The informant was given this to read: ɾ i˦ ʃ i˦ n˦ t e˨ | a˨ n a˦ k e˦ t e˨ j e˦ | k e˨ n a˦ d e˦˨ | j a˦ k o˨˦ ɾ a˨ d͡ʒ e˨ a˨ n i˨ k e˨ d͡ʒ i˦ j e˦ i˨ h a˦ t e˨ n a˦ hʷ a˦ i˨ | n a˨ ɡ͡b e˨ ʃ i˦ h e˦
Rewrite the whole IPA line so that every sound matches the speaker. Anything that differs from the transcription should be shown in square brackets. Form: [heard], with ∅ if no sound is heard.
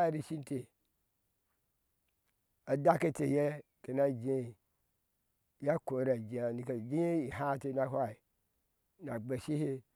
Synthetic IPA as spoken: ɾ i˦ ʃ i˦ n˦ t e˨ | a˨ [d] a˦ k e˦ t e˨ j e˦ | k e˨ n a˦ [d͡ʒ] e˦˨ | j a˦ k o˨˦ ɾ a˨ d͡ʒ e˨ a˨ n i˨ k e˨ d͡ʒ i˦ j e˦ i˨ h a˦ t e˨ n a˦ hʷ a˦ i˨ | n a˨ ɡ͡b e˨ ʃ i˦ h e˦